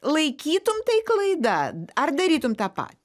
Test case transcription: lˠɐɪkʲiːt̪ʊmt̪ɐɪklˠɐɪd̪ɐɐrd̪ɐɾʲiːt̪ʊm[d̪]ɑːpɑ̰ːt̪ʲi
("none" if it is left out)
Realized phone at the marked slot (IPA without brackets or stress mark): t̪